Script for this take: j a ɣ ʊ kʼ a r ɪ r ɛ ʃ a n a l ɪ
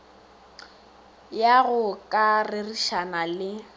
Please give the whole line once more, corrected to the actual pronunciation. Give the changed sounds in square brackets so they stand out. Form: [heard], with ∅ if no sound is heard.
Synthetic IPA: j a ɣ ʊ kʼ a r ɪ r [i] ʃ a n a l ɪ